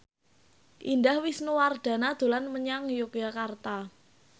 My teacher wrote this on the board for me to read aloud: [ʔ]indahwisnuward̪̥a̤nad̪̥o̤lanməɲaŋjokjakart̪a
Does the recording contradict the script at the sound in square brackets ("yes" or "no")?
no